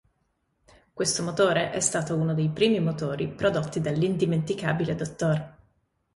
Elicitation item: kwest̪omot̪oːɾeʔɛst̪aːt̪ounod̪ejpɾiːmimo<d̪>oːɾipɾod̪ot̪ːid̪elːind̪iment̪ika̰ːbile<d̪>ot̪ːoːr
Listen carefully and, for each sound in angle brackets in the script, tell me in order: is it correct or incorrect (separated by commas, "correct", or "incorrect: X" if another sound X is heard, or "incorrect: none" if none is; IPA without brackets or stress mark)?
incorrect: t̪, correct